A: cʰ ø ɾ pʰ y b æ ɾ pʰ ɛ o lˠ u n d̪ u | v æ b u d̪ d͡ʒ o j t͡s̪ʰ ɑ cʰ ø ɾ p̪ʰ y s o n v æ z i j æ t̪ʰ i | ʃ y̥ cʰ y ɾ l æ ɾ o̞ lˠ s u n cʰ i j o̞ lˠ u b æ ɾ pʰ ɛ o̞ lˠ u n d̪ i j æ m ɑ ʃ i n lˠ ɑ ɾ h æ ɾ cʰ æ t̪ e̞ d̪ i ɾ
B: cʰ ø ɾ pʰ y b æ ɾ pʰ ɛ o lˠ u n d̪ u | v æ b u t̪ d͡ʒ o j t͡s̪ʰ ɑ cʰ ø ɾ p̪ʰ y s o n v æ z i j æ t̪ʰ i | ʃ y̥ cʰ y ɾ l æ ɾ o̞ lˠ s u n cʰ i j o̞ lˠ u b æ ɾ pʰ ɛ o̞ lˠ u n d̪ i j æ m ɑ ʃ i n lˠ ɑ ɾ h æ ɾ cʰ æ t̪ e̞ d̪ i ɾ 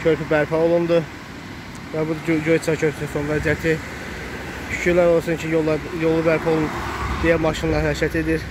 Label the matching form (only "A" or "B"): A